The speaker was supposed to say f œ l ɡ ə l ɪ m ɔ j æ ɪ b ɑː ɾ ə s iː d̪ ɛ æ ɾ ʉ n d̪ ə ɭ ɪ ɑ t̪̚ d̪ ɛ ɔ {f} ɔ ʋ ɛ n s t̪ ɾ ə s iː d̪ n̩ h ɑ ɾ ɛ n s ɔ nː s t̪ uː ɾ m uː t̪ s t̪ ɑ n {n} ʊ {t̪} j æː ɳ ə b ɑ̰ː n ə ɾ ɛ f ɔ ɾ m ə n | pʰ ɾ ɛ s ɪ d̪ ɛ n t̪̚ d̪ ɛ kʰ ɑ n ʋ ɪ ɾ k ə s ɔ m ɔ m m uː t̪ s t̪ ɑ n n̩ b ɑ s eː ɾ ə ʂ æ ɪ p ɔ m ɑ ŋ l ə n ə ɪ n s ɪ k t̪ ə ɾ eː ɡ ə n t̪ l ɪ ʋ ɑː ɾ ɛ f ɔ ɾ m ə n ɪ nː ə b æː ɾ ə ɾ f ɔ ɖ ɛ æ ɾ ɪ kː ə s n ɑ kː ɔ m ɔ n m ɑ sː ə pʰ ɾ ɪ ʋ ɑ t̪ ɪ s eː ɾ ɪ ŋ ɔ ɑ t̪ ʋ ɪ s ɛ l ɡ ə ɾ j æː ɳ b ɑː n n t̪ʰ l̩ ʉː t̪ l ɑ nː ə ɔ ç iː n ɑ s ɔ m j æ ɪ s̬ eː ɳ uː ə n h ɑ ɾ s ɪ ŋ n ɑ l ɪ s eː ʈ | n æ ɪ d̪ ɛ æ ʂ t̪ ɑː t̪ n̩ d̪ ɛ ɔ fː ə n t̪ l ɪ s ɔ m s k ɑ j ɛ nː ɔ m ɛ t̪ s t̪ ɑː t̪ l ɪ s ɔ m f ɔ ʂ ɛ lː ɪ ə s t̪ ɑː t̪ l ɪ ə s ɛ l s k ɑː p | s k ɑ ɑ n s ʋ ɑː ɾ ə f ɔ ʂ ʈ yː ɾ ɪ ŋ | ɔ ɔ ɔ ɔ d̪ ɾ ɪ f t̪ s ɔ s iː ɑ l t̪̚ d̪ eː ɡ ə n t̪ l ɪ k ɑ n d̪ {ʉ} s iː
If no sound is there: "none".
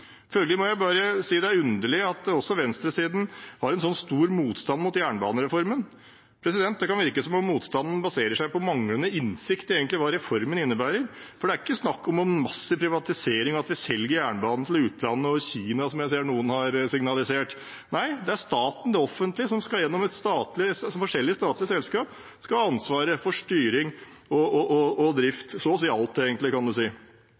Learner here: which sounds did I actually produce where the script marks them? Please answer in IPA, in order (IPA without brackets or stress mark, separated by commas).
s, m, t̪, ʉ